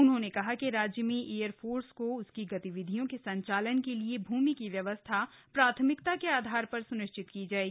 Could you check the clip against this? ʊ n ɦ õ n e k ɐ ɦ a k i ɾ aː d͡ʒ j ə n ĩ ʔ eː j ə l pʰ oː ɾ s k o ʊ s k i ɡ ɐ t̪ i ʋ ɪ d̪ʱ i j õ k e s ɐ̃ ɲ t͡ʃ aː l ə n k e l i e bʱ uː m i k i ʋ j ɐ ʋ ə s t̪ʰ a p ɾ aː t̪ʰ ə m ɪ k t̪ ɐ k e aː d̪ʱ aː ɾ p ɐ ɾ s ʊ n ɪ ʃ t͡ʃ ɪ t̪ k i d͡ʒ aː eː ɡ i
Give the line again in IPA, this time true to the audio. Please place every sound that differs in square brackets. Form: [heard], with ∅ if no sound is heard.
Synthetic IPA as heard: ʊ n ɦ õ n e k ɐ ɦ a k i ɾ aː d͡ʒ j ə [m] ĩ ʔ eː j ə [ɾ] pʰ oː ɾ s k o ʊ s k i ɡ ɐ t̪ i ʋ ɪ d̪ʱ i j õ k e s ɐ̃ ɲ t͡ʃ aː l ə n k e l i e bʱ uː m i k i ʋ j ɐ ʋ ə s t̪ʰ a p ɾ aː t̪ʰ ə m ɪ k t̪ [a] k e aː d̪ʱ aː ɾ p ɐ ɾ s ʊ n ɪ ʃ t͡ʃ ɪ t̪ k i d͡ʒ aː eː ɡ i

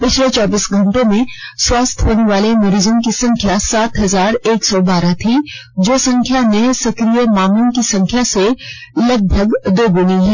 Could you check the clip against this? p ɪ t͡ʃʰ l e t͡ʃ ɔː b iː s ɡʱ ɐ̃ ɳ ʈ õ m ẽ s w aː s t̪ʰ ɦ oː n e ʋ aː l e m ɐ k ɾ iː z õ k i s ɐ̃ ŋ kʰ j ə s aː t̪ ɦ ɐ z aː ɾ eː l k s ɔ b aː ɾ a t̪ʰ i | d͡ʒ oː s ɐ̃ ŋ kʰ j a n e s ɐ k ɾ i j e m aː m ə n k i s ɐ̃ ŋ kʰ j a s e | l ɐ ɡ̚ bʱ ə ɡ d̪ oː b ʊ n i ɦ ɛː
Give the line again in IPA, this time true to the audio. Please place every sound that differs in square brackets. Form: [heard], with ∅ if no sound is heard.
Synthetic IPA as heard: p ɪ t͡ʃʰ l e t͡ʃ ɔː b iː s ɡʱ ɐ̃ ɳ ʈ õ m ẽ s w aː s t̪ʰ ɦ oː n e ʋ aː l e m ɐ [∅] ɾ iː z õ k i s ɐ̃ ŋ kʰ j [a] s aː t̪ ɦ ɐ z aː ɾ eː [∅] k s ɔ b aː ɾ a t̪ʰ i | d͡ʒ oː s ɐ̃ ŋ kʰ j a n e s ɐ k ɾ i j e m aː m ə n k i s ɐ̃ ŋ kʰ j a s e | l ɐ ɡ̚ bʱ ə ɡ d̪ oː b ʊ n i ɦ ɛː

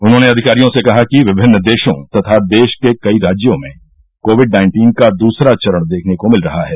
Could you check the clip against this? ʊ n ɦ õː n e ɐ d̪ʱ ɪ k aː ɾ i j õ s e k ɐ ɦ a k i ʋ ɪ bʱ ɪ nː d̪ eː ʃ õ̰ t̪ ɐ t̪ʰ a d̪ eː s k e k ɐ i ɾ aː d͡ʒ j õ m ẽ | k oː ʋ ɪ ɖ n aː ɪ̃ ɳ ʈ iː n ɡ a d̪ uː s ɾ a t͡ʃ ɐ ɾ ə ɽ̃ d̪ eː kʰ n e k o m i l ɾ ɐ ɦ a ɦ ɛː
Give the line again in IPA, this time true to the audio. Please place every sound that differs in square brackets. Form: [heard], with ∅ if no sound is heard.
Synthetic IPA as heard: ʊ n ɦ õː n e ɐ d̪ʱ ɪ k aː ɾ i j õ s e k ɐ ɦ a k i ʋ ɪ bʱ ɪ nː d̪ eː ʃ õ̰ t̪ ɐ t̪ʰ a d̪ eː [ʃ] k e k ɐ i ɾ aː d͡ʒ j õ m ẽ | k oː ʋ ɪ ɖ n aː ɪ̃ ɳ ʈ iː n [k] a d̪ uː s ɾ a t͡ʃ ɐ ɾ ə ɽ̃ d̪ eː kʰ n e k o m [ɪ] l ɾ ɐ ɦ a ɦ ɛː

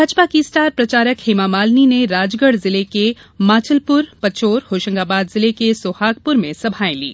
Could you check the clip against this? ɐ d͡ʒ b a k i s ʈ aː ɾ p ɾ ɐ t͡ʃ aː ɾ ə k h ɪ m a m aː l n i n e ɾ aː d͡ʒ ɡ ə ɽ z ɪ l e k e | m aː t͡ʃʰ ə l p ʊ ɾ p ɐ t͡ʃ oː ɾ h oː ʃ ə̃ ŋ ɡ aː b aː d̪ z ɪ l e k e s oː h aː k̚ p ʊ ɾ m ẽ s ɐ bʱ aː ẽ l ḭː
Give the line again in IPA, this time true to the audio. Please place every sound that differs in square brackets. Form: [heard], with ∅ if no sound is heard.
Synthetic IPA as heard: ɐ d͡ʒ [p] a k i s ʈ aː ɾ p ɾ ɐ t͡ʃ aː ɾ ə k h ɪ m a m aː l n i n e ɾ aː d͡ʒ ɡ ə ɽ z ɪ l e k e | m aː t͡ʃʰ ə l p ʊ ɾ p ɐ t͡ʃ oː ɾ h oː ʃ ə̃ ŋ ɡ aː b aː d̪ z ɪ l e k e s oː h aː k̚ p ʊ ɾ m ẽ s ɐ bʱ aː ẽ l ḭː

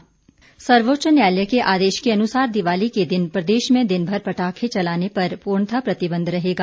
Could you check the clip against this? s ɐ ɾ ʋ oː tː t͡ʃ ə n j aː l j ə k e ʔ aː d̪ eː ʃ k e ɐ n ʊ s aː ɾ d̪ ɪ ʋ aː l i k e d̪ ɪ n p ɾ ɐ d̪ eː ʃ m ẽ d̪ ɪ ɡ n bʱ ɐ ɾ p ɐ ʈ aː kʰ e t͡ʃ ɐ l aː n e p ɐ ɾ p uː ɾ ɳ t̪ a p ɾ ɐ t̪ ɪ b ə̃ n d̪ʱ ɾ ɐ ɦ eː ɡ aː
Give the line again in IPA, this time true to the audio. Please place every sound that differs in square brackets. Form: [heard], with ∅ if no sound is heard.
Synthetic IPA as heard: s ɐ ɾ ʋ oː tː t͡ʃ ə n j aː l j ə k e ʔ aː d̪ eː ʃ k e ɐ n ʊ s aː ɾ d̪ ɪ ʋ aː l i k e d̪ ɪ n p ɾ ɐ d̪ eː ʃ m ẽ d̪ ɪ [∅] n bʱ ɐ ɾ p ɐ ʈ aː kʰ e t͡ʃ ɐ l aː n e p ɐ ɾ p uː ɾ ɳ [t̪ʰ] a p ɾ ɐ t̪ ɪ b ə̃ n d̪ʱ ɾ ɐ ɦ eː ɡ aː

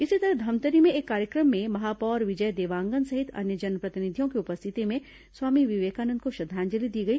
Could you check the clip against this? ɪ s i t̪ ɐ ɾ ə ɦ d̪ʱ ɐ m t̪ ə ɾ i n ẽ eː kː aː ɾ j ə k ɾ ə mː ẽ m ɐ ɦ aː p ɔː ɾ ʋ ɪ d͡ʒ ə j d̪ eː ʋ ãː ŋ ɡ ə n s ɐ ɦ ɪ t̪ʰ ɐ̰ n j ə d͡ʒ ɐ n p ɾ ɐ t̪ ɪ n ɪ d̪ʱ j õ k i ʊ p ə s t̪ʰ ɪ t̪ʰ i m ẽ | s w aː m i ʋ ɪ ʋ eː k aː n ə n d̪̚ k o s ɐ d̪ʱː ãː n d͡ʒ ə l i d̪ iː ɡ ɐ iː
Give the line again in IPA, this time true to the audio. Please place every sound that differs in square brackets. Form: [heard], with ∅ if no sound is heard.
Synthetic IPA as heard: ɪ s i t̪ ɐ ɾ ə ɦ d̪ʱ ɐ m t̪ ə ɾ i [m] ẽ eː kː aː ɾ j ə k ɾ ə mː ẽ m ɐ ɦ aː p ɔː ɾ ʋ ɪ d͡ʒ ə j d̪ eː ʋ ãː ŋ ɡ ə n s ɐ ɦ ɪ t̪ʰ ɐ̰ n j ə d͡ʒ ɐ n p ɾ ɐ t̪ ɪ n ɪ d̪ʱ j õ k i ʊ p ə s t̪ʰ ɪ [t̪] i m ẽ | s w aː m i ʋ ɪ ʋ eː k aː n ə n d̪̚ k o [ʃ] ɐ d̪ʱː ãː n d͡ʒ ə l i d̪ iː ɡ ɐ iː

